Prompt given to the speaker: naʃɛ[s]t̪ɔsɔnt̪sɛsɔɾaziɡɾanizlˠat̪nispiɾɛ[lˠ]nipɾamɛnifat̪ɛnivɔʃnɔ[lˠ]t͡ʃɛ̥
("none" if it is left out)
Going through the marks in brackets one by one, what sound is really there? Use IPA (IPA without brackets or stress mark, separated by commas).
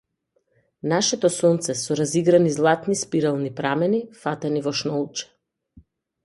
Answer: none, lˠ, lˠ